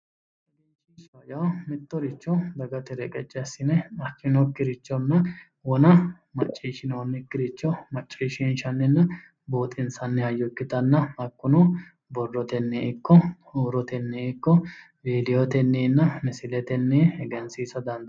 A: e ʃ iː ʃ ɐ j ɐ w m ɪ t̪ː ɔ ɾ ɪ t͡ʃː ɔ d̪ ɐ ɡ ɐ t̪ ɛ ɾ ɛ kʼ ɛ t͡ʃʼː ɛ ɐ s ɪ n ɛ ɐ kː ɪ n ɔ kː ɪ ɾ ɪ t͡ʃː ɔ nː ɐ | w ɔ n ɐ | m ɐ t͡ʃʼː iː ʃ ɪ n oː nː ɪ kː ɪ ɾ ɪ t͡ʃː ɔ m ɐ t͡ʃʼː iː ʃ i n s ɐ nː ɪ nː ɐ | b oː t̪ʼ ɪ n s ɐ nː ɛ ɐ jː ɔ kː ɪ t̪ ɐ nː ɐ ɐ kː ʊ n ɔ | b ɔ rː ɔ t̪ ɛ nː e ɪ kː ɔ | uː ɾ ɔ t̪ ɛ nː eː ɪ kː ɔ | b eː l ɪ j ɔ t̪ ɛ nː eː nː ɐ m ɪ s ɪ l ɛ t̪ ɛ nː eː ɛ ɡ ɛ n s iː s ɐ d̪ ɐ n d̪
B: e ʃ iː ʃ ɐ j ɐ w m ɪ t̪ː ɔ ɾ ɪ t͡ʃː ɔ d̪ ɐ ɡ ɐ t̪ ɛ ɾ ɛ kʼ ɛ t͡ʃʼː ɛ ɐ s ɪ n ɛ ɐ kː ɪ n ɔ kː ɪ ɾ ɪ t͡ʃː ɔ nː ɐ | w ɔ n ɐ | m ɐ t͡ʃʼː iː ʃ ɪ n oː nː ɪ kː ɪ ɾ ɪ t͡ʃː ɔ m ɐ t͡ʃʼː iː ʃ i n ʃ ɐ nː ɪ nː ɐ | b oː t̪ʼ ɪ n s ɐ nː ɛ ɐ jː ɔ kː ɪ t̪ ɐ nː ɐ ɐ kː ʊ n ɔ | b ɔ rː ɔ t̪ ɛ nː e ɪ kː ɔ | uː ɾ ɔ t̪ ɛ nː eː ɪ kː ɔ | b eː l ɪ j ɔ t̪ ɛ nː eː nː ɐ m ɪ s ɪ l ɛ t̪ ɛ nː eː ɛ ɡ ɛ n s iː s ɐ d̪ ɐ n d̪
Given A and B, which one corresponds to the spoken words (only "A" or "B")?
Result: B